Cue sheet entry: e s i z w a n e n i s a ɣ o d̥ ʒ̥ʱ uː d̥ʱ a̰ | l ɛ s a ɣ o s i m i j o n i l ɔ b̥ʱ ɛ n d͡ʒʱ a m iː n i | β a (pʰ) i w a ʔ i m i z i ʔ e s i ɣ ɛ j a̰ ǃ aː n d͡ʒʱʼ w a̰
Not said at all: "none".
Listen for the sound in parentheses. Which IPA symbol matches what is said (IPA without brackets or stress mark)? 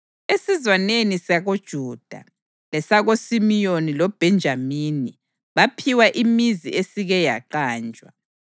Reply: pʰ